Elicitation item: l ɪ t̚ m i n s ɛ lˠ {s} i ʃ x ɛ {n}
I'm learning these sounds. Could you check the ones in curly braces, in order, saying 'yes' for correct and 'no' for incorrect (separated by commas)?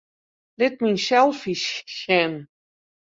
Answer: no, yes